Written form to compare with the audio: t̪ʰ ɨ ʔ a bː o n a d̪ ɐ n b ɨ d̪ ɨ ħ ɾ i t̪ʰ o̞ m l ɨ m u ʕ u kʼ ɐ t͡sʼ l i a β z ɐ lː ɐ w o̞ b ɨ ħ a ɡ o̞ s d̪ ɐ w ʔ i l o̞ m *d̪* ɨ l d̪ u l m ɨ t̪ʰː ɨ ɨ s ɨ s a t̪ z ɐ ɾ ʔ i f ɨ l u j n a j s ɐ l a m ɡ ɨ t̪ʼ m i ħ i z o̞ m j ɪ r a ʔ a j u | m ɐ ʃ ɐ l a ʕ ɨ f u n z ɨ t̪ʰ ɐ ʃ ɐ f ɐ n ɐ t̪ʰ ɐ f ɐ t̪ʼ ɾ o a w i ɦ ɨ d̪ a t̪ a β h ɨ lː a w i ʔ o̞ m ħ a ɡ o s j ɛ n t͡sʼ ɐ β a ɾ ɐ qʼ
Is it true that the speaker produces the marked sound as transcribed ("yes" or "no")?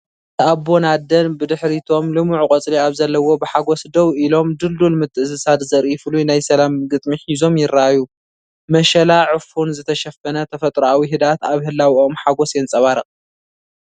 yes